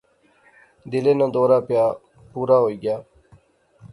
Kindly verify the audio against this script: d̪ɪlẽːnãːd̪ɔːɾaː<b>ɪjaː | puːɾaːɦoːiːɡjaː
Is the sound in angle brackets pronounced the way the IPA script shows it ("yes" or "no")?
no